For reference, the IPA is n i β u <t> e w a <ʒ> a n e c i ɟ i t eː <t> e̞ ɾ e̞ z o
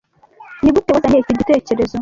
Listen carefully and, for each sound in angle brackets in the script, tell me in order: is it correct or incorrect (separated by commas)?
correct, incorrect, incorrect